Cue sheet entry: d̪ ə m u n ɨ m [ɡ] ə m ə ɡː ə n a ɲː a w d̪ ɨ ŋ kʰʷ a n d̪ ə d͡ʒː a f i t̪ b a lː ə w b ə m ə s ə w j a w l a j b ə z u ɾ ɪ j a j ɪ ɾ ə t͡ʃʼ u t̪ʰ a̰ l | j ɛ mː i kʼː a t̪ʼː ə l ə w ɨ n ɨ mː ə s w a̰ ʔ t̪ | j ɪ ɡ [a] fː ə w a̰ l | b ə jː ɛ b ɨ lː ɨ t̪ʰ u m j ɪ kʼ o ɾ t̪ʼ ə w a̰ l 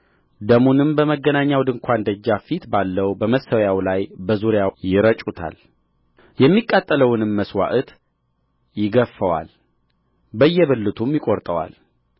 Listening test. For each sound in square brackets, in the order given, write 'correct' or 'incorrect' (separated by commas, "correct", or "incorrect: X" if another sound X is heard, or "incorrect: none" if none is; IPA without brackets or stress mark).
incorrect: b, incorrect: ə